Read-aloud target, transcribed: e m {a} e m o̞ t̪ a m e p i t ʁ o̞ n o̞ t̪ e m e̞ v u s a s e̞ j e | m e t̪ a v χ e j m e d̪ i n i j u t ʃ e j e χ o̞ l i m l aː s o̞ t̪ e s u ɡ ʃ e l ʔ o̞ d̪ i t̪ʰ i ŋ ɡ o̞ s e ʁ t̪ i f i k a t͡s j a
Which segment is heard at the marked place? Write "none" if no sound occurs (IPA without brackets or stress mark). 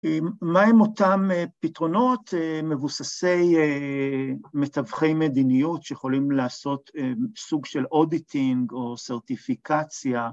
a